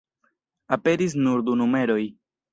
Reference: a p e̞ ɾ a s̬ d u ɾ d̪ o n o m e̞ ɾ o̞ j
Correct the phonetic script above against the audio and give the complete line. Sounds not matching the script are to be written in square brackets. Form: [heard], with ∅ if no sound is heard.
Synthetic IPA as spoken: a p e̞ ɾ [i] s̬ [n] u ɾ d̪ [u] n [u] m e̞ ɾ o̞ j

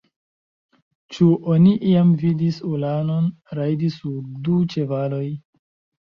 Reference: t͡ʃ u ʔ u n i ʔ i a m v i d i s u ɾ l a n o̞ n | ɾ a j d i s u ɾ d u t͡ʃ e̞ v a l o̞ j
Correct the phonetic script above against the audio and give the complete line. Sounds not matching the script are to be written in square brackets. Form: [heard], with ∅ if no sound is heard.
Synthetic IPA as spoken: t͡ʃ u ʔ [o] n i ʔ i a m v i d i s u [∅] l a n o̞ n | ɾ a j d i s u ɾ d u t͡ʃ e̞ v a l o̞ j

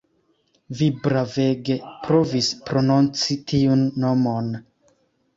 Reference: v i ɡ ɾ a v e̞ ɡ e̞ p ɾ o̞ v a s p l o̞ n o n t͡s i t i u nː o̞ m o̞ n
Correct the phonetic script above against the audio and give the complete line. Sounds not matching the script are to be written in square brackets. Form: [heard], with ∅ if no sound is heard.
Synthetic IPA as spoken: v i [b] ɾ a v e̞ ɡ e̞ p ɾ o̞ v [i] s p [ɾ] o̞ n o n t͡s i t i u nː o̞ m o̞ n

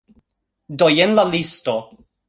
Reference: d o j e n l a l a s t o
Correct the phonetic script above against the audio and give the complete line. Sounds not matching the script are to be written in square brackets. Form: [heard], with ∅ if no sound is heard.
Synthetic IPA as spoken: d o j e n l a l [i] s t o

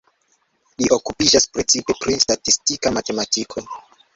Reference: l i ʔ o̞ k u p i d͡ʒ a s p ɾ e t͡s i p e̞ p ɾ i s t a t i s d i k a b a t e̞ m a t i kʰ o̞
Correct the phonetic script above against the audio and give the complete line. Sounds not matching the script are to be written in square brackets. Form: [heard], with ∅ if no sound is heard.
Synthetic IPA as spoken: l i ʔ o̞ k u p i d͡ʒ a s p ɾ e t͡s i p e̞ p ɾ i s t a t i s [t] i k a [m] a t e̞ m a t i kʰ o̞

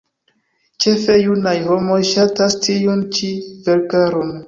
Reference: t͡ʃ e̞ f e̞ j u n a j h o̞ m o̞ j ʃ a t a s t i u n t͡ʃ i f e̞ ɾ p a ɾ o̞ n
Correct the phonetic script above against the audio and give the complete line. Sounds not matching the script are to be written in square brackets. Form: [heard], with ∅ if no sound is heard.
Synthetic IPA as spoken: t͡ʃ e̞ f e̞ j u n a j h o̞ m o̞ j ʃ a t a s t i u n t͡ʃ i [v] e̞ ɾ [k] a ɾ o̞ n

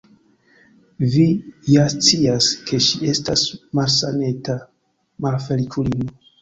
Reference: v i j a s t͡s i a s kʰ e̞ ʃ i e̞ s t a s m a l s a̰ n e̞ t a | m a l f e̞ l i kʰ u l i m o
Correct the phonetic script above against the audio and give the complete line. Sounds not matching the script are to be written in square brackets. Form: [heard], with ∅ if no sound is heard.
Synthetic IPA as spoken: v i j a s t͡s i a s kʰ e̞ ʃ i e̞ s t a s m a l s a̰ n e̞ t a | m a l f e̞ l i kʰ u l i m o

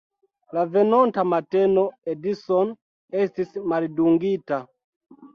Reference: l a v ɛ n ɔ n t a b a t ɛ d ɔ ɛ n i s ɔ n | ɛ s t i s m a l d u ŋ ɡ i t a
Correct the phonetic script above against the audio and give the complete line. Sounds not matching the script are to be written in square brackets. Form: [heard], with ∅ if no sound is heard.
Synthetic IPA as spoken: l a v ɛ n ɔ n t a [m] a t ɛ [n] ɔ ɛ [d] i s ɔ n | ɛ s t i s m a l d u ŋ ɡ i t a

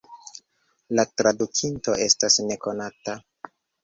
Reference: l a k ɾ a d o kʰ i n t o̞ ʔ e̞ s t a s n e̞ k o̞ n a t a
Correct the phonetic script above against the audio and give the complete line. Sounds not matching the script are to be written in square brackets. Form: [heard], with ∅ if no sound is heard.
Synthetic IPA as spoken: l a [t] ɾ a d [u] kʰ i n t o̞ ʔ e̞ s t a s n e̞ k o̞ n a t a

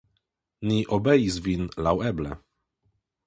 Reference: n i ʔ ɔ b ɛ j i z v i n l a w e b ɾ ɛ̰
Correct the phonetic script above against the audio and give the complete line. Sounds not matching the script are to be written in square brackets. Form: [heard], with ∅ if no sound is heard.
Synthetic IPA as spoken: n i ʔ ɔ b ɛ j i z v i n l a w [ɛ] b [l] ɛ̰

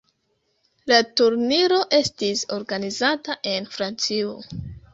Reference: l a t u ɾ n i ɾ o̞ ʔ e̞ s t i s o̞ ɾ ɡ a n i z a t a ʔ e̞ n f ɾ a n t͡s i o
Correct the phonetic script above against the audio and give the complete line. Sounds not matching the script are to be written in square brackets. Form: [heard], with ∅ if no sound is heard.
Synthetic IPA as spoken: l a t u ɾ n i ɾ o̞ ʔ e̞ s t i s o̞ ɾ ɡ a n i z a t a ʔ e̞ n f ɾ a n t͡s i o

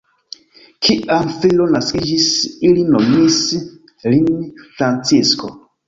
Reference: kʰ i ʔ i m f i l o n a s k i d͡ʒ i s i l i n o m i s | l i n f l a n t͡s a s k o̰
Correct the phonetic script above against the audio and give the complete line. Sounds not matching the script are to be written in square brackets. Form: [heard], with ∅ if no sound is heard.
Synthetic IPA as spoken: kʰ i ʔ [a] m f i l o n a s k i d͡ʒ i s i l i n o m i s | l i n f [ɾ] a n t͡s [i] s k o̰

